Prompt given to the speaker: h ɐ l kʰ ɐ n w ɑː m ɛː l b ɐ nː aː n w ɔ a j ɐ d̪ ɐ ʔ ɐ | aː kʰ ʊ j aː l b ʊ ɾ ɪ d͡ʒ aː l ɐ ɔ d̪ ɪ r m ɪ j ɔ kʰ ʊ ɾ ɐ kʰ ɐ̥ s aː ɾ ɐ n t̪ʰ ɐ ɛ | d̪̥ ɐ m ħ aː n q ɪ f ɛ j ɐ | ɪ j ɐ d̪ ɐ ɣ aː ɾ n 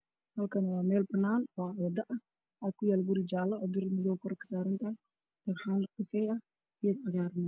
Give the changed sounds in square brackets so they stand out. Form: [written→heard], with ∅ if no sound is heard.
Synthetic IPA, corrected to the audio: h ɐ l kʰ ɐ n w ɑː m ɛː l b ɐ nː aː n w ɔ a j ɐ d̪ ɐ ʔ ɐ | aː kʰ ʊ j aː l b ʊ ɾ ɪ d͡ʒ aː l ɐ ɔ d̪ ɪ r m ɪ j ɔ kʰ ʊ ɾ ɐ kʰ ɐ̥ s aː ɾ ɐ n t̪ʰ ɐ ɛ | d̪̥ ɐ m ħ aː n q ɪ f ɛ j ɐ | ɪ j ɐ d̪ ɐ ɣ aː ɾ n